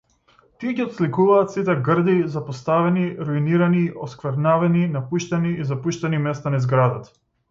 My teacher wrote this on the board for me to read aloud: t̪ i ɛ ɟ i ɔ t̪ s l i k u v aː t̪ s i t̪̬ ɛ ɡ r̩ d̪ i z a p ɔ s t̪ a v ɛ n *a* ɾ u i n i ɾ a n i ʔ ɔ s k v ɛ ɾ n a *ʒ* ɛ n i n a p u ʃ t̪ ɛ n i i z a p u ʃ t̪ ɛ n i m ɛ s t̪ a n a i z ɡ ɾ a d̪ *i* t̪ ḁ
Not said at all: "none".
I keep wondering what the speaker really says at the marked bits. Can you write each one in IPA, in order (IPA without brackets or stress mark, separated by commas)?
i, v, a